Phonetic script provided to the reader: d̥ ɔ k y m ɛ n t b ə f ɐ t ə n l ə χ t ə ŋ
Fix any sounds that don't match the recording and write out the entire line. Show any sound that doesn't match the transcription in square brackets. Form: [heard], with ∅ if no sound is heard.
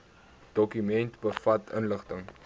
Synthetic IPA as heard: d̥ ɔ k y m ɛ n t b ə f ɐ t ə n l ə χ t ə ŋ